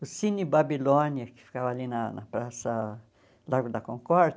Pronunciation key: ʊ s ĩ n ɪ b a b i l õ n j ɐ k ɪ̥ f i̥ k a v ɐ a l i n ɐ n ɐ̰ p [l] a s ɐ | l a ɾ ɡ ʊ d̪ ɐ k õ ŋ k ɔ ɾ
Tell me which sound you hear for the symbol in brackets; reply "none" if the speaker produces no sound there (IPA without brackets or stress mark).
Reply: ɾ